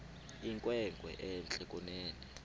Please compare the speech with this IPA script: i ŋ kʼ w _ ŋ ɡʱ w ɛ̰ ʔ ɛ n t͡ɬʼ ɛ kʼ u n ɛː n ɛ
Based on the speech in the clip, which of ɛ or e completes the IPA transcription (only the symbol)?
ɛ